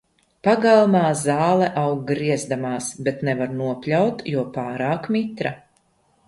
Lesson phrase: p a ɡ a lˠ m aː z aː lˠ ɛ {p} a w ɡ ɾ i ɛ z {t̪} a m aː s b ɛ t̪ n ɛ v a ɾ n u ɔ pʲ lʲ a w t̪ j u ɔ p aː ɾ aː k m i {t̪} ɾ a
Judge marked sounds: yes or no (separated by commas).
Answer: no, no, yes